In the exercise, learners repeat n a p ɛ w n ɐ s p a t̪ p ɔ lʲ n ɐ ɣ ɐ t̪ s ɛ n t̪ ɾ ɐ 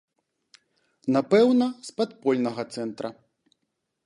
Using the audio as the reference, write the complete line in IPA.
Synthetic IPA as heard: n a p ɛ w n ɐ s p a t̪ p ɔ lʲ n ɐ ɣ ɐ t̪ s ɛ n t̪ ɾ ɐ

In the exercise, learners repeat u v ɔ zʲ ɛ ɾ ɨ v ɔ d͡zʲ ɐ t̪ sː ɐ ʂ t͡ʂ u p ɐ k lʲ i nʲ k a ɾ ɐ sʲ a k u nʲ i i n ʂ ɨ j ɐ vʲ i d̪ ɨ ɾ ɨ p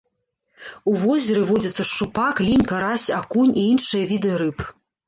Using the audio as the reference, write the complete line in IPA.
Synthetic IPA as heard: u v ɔ zʲ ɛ ɾ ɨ v ɔ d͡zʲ ɐ t̪ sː ɐ ʂ t͡ʂ u p a k lʲ i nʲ k a ɾ a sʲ a k u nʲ i i n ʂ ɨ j ɐ vʲ i d̪ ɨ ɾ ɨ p

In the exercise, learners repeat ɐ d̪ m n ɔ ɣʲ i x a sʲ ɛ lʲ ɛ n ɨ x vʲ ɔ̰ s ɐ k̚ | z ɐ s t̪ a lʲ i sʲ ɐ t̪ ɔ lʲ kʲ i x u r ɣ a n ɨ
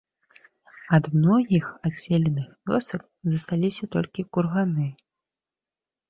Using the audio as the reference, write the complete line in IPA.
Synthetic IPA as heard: ɐ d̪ m n ɔ ɣʲ i x a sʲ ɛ lʲ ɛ n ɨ x vʲ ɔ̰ s ɐ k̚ | z ɐ s t̪ a lʲ i sʲ ɐ t̪ ɔ lʲ kʲ i k u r ɣ a n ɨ

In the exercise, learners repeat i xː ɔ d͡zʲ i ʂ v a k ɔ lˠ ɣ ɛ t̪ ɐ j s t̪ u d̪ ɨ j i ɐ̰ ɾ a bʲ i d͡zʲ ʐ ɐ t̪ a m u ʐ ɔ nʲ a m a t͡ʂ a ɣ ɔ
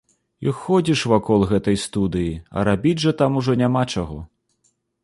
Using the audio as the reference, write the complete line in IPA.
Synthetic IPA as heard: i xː ɔ d͡zʲ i ʂ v a k ɔ lˠ ɣ ɛ t̪ ɐ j s t̪ u d̪ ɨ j i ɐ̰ ɾ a bʲ i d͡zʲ ʐ ɐ t̪ a m u ʐ ɔ nʲ a m a t͡ʂ a ɣ ɔ

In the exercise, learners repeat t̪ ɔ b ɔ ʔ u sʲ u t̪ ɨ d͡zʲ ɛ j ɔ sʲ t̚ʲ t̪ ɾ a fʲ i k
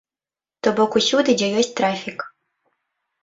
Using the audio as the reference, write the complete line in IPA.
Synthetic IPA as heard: t̪ ɔ b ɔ k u sʲ u d̪ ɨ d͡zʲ ɛ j ɔ sʲ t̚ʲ t̪ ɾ a fʲ i k

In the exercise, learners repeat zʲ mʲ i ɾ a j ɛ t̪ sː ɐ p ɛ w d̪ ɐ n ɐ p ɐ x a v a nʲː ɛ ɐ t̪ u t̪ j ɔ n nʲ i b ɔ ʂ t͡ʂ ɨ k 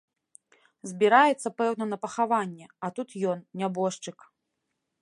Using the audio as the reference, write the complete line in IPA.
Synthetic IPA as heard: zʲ bʲ i ɾ a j ɛ t̪ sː ɐ p ɛ w n̪ ɐ n ɐ p ɐ x a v a nʲː ɛ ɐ t̪ u t̪ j ɔ n nʲ a b ɔ ʂ t͡ʂ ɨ k

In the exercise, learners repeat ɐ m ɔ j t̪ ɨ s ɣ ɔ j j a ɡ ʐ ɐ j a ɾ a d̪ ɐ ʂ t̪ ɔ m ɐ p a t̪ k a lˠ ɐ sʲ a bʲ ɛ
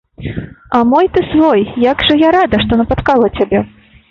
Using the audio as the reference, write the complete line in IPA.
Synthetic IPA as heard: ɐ m ɔ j t̪ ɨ s v ɔ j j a ɡ ʐ ɐ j a ɾ a d̪ ɐ ʂ t̪ ɔ n ɐ p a t̪ k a lˠ ɐ t͡sʲ a bʲ ɛ

